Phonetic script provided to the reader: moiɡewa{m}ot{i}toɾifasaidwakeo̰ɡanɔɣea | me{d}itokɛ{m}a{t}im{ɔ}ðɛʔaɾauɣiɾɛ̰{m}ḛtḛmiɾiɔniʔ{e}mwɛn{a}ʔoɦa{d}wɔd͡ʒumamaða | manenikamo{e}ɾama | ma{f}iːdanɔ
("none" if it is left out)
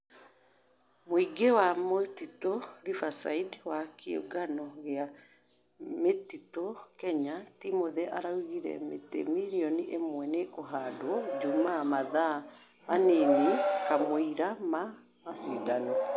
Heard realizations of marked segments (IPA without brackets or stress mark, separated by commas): m, i, t, ɲ, t, o, m, e, e, d, i, s